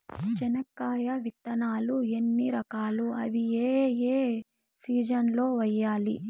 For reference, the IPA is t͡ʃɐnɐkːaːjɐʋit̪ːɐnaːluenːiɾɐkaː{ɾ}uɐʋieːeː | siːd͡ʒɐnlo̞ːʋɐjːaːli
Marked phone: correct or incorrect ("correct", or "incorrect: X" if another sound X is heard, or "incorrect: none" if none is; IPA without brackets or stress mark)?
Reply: incorrect: l